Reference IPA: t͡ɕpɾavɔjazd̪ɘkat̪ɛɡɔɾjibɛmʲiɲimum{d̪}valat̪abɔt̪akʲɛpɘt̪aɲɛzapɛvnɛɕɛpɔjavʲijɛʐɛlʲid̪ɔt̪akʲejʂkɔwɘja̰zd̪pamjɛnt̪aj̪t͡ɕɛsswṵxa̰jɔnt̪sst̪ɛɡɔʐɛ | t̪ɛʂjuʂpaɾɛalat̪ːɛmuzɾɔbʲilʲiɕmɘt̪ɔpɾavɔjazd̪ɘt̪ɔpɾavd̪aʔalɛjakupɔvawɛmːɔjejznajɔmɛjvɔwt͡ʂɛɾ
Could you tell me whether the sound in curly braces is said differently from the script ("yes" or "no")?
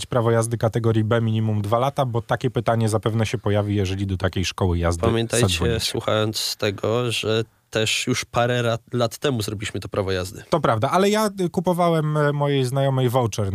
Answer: no